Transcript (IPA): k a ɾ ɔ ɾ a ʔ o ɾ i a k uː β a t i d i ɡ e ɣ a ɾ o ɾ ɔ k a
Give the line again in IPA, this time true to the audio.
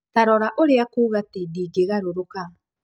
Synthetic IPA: t a ɾ ɔ ɾ a ʔ o ɾ e a k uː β a t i d i ɡ e ɣ a ɾ o ɾ o k a